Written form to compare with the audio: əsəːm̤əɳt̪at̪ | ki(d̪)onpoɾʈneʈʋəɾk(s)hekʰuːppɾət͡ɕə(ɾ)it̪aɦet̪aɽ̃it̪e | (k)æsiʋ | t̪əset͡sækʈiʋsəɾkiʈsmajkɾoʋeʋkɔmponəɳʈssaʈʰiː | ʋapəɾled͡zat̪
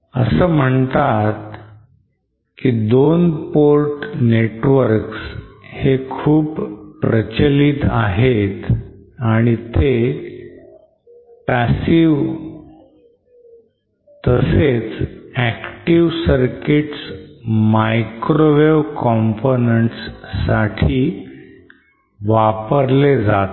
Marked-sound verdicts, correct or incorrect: correct, correct, incorrect, incorrect

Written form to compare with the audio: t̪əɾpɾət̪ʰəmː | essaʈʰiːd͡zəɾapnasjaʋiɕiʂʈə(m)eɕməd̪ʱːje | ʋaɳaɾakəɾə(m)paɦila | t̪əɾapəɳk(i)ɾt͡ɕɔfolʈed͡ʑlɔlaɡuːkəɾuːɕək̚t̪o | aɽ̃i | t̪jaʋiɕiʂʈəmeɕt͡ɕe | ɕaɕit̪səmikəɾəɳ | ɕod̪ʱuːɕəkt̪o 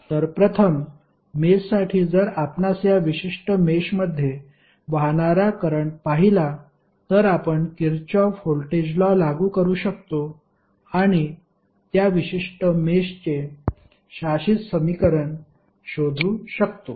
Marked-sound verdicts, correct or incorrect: correct, incorrect, correct

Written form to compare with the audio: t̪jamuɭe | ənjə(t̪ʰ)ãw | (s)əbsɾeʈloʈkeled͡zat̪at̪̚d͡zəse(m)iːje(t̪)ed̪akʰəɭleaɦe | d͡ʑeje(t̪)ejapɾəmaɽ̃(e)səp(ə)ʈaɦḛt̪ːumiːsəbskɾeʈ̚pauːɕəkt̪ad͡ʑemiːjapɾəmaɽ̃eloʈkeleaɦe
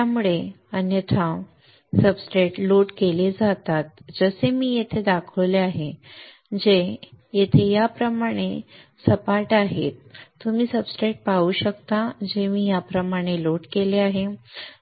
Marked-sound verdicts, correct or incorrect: correct, correct, correct, incorrect, incorrect, correct, incorrect

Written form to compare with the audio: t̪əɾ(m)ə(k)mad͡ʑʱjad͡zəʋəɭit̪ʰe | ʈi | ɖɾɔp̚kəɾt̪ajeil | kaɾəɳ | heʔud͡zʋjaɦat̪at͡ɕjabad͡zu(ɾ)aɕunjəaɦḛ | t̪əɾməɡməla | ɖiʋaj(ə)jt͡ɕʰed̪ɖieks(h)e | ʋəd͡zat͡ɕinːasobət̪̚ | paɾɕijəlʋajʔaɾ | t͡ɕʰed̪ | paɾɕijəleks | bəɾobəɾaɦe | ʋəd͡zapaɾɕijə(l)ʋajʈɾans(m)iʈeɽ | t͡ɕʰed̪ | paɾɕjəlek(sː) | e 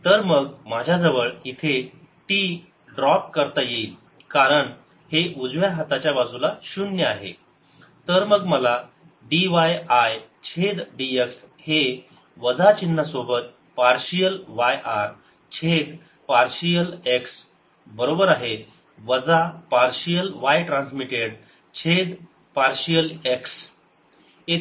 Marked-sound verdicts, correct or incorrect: correct, incorrect, incorrect, incorrect, correct, correct, correct, incorrect

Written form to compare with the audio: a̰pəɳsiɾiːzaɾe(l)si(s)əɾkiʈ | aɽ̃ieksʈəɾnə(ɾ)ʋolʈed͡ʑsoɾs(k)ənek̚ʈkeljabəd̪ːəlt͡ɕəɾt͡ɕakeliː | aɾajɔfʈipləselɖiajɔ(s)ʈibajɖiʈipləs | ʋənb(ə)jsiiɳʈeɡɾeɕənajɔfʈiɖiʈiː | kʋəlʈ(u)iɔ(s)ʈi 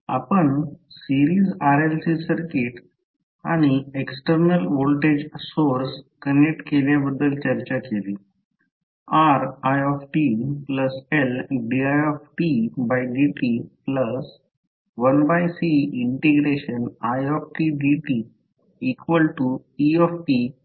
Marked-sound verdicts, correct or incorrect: correct, correct, incorrect, correct, incorrect, incorrect, correct, incorrect

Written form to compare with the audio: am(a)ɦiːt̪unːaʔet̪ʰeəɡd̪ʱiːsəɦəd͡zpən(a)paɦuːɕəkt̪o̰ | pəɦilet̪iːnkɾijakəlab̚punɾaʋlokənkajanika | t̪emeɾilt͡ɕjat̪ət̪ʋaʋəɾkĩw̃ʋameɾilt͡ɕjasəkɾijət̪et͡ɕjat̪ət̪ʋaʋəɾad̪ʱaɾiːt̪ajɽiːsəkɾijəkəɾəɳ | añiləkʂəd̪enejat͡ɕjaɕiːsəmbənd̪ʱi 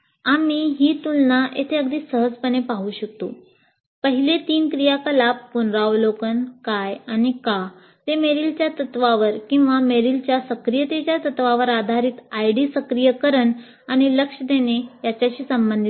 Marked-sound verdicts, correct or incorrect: incorrect, incorrect

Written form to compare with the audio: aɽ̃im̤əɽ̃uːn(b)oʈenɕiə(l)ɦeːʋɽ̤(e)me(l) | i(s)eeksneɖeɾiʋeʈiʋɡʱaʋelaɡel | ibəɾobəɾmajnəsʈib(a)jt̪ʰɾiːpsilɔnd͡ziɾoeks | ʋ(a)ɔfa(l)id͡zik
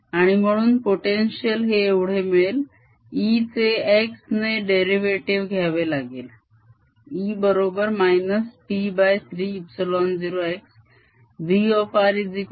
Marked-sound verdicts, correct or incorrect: incorrect, correct, correct, correct, incorrect, correct, incorrect, incorrect

